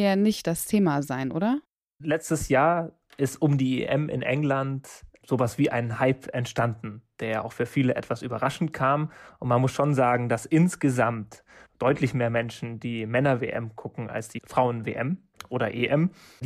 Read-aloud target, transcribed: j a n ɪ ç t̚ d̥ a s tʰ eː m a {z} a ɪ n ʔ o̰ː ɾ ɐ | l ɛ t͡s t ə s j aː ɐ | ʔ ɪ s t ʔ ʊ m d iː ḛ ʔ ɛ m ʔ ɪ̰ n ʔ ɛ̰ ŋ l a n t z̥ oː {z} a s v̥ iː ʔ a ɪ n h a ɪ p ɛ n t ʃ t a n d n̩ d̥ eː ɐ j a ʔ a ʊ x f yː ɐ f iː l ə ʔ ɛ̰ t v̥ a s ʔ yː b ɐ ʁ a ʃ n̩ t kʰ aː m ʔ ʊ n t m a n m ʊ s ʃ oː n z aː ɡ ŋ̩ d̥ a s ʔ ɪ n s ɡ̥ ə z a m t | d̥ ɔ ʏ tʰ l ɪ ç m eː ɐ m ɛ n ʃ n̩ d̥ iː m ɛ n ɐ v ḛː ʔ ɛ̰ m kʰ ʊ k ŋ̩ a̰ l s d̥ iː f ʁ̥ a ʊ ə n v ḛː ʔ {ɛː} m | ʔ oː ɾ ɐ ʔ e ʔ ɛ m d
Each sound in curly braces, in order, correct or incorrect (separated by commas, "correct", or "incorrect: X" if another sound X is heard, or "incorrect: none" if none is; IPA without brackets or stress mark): correct, incorrect: v, incorrect: ɛ